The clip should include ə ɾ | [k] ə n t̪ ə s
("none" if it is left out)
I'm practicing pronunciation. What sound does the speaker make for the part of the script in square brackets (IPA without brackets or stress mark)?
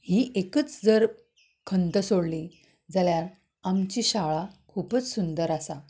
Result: kʰ